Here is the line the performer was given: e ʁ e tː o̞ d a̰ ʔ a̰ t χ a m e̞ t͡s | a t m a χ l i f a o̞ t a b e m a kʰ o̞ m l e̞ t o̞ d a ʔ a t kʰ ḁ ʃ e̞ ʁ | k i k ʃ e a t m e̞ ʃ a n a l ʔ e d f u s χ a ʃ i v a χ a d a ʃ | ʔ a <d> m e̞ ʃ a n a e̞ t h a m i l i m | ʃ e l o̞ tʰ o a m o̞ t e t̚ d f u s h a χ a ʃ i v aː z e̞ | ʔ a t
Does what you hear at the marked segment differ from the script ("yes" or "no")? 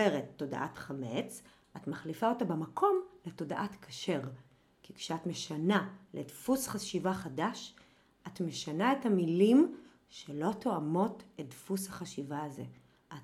yes